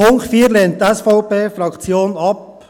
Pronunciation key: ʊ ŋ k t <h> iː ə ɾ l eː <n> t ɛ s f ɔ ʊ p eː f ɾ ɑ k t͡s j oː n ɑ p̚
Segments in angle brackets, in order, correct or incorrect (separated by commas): incorrect, correct